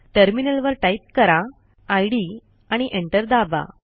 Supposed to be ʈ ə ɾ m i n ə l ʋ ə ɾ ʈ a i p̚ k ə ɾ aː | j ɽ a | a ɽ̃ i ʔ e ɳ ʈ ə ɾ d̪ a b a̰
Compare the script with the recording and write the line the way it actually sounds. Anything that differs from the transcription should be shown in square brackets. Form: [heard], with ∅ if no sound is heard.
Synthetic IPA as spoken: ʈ ə ɾ m i n ə l ʋ ə ɾ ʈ a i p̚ k ə ɾ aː | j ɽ [i] | a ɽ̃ i ʔ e ɳ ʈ ə ɾ d̪ a b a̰